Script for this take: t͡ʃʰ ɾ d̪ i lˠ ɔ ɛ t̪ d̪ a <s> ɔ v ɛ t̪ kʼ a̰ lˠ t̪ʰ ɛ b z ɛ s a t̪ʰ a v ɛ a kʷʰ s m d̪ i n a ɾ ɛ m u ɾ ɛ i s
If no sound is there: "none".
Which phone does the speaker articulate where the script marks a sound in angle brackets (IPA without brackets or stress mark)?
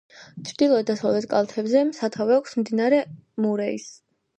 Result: s